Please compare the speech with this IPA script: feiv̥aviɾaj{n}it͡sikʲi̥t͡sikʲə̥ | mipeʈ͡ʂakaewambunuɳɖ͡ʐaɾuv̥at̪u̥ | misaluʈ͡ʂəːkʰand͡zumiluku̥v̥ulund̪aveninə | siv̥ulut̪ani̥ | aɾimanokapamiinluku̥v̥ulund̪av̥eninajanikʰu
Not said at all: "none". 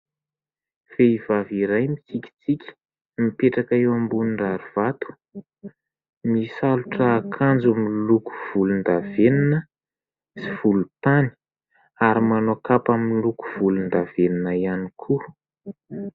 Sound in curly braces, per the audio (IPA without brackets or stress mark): m